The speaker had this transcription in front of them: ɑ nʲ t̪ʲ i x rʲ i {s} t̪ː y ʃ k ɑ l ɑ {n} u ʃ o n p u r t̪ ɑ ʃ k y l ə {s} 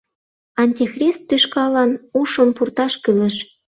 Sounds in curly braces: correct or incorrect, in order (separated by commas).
correct, correct, incorrect